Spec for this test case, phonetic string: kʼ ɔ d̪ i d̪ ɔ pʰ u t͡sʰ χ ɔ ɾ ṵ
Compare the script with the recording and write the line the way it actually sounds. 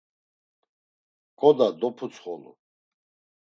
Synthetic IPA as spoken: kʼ ɔ d̪ a d̪ ɔ pʰ u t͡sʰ χ ɔ l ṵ